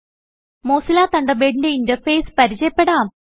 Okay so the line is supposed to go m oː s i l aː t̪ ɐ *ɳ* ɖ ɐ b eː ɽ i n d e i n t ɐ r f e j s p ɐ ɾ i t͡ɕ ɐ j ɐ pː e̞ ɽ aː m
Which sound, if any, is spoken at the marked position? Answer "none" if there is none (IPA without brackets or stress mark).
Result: ɳ